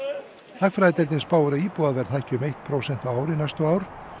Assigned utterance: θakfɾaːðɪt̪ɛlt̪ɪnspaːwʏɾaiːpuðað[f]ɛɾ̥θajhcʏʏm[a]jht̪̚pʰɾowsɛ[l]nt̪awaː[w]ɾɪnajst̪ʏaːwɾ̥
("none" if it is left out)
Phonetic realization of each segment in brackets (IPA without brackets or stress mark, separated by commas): v, e, none, w